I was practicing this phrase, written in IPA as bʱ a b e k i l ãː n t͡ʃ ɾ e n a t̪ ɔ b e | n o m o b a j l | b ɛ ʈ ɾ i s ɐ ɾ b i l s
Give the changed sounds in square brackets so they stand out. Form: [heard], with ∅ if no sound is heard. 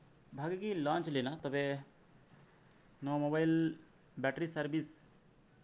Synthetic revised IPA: bʱ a [ɡ] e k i l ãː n t͡ʃ [l] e n a t̪ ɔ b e | n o m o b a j l | b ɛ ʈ ɾ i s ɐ ɾ b i [∅] s